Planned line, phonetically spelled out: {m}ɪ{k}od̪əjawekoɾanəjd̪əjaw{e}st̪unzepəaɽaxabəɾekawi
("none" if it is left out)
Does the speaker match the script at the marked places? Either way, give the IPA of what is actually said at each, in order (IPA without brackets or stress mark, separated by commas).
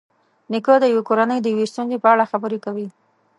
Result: n, k, e